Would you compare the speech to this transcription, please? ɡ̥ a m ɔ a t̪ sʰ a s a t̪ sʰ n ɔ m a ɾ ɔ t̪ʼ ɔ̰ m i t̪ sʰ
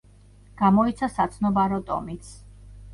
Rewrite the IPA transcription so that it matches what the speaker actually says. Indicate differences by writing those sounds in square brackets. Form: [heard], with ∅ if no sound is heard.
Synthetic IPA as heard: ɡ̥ a m ɔ [i] t̪ sʰ a s a t̪ sʰ n ɔ [b] a ɾ ɔ t̪ʼ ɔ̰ m i t̪ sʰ

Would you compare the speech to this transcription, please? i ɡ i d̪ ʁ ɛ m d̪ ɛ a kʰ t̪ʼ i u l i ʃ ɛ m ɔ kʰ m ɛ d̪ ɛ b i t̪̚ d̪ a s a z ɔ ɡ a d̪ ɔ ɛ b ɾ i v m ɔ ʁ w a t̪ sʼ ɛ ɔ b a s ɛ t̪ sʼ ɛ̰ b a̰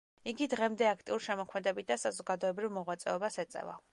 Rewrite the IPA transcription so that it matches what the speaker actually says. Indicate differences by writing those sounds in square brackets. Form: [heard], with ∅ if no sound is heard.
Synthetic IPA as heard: i ɡ i d̪ ʁ ɛ m d̪ ɛ a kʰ t̪ʼ i u [ɾ] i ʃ ɛ m ɔ kʰ m ɛ d̪ ɛ b i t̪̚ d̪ a s a z ɔ ɡ a d̪ ɔ ɛ b ɾ i v m ɔ ʁ w a t̪ sʼ ɛ ɔ b a s ɛ t̪ sʼ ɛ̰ [v] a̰

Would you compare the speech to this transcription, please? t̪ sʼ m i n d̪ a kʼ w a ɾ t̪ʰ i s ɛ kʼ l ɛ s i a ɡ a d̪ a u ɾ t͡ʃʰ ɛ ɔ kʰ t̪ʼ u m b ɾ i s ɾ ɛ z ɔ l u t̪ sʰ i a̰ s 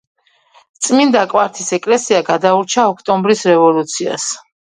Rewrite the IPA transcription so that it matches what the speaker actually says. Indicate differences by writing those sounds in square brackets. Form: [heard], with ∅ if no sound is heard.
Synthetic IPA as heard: t̪ sʼ m i n d̪ a kʼ w a ɾ t̪ʰ i s ɛ kʼ l ɛ s i a ɡ a d̪ a u ɾ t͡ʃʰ [a] ɔ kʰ t̪ʼ [ɔ] m b ɾ i s ɾ ɛ [v] ɔ l u t̪ sʰ i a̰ s

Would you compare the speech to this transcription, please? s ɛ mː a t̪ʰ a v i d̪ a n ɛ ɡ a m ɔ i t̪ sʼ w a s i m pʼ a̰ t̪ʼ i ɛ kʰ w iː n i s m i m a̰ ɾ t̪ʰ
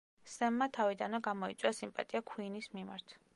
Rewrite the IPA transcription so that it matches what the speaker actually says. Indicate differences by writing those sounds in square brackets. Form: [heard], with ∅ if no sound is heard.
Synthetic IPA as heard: s ɛ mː a t̪ʰ a v i d̪ a n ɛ ɡ a m ɔ i t̪ sʼ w a s i m pʼ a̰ t̪ʼ i [a] kʰ w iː n i s m i m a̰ ɾ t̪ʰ

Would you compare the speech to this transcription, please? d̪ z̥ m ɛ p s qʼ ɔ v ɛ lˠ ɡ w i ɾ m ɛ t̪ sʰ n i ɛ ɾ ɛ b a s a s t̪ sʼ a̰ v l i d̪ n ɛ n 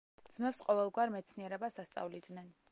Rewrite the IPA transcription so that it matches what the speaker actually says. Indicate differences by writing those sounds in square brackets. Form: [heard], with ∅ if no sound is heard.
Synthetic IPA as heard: d̪ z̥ m ɛ p s qʼ ɔ v ɛ lˠ ɡ w [a] ɾ m ɛ t̪ sʰ n i ɛ ɾ ɛ b a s a s t̪ sʼ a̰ v l i d̪ n ɛ n

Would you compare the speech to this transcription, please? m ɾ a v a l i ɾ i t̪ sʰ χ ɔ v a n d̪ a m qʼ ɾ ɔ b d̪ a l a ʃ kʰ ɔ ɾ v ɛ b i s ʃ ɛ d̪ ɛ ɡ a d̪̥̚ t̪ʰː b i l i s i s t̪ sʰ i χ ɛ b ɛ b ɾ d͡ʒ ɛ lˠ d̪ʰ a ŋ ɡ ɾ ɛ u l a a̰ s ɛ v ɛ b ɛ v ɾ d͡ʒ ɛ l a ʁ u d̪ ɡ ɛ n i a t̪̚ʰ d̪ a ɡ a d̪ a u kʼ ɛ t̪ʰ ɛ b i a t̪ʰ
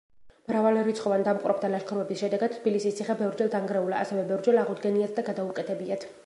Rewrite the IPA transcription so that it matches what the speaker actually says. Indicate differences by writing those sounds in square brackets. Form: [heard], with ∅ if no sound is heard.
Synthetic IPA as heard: m ɾ a v a l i ɾ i t̪ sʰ χ ɔ v a n d̪ a m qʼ ɾ ɔ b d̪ a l a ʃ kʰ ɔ ɾ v ɛ b i s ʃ ɛ d̪ ɛ ɡ a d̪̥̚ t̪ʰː b i l i s i s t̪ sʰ i χ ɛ b ɛ [v] ɾ d͡ʒ ɛ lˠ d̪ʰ a ŋ ɡ ɾ ɛ u l a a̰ s ɛ v ɛ b ɛ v ɾ d͡ʒ ɛ l a ʁ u d̪ ɡ ɛ n i a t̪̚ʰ d̪ a ɡ a d̪ a u kʼ ɛ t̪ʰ ɛ b i a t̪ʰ

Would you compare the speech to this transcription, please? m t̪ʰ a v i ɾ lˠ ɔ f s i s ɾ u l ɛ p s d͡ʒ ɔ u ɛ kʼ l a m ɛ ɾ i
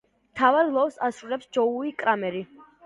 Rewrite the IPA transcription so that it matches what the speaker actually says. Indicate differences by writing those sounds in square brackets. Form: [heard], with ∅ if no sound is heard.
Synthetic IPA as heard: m t̪ʰ a v [a] ɾ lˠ ɔ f s [a] s ɾ u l ɛ p s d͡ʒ ɔ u [i] kʼ [ɾ] a m ɛ ɾ i

